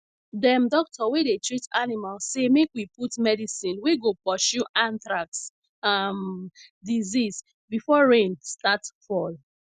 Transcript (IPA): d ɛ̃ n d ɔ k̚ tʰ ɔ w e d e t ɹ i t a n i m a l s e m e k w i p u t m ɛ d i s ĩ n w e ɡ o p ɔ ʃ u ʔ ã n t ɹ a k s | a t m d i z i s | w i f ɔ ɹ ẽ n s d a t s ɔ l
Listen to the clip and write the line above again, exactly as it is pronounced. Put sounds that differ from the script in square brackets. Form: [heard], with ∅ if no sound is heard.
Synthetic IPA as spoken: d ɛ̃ [m] d ɔ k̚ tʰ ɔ w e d e t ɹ i t a n i m a l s e m e k w i p u t m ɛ d i s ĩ n w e ɡ o p ɔ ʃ u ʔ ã n t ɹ a k s | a [∅] m d i z i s | [b] i f ɔ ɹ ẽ n s [t] a t [f] ɔ l